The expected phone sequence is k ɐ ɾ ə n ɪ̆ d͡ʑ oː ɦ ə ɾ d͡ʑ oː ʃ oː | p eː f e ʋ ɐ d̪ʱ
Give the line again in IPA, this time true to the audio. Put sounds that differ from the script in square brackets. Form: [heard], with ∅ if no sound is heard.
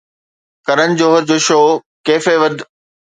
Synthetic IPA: k ɐ ɾ ə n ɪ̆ d͡ʑ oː ɦ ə ɾ d͡ʑ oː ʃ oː | [k] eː f e ʋ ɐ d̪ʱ